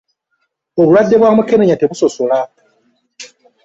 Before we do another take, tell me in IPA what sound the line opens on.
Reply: o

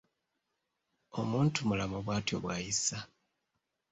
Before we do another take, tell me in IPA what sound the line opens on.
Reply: o̞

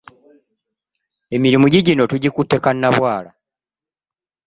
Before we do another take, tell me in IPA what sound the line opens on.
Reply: e̞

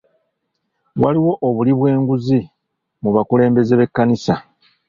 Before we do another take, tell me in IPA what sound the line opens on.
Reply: w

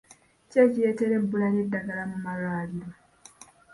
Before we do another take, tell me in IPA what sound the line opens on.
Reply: c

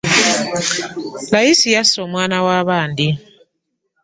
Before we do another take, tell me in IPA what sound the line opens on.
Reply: l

